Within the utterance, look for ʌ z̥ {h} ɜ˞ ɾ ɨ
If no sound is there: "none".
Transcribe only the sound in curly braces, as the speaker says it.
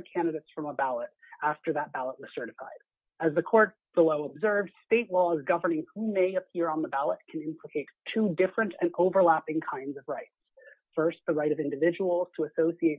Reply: s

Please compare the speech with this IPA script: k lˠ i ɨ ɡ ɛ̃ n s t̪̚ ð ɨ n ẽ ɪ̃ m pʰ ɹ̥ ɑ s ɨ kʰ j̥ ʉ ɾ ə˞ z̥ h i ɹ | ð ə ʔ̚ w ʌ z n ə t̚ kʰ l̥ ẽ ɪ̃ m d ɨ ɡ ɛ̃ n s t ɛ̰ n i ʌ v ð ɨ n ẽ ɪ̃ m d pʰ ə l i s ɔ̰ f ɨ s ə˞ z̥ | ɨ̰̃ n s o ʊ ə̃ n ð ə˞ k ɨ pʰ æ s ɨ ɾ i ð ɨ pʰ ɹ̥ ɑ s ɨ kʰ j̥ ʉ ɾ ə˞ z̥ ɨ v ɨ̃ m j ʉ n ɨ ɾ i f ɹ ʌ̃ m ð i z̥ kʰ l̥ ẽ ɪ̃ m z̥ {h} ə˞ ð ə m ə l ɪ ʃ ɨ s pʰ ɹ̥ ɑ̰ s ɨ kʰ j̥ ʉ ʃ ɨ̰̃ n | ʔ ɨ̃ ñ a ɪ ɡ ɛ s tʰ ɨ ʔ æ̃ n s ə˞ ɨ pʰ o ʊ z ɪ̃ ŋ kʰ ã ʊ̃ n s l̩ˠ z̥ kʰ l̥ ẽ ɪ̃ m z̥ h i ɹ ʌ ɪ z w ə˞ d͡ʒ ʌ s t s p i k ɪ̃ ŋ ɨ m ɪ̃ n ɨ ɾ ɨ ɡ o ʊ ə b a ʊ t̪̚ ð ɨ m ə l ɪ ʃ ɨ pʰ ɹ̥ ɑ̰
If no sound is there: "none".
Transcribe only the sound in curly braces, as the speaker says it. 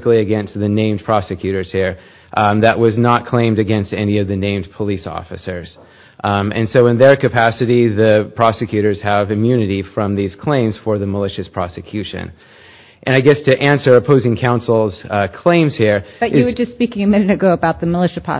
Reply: f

